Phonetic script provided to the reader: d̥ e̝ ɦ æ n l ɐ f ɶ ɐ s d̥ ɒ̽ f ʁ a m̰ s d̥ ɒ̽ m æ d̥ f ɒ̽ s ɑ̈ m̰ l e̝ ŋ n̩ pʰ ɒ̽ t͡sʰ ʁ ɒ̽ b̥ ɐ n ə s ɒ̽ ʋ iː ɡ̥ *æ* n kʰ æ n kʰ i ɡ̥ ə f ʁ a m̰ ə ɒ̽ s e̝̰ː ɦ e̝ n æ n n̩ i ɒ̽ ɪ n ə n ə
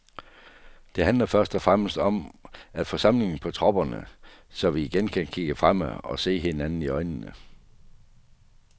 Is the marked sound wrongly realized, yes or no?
yes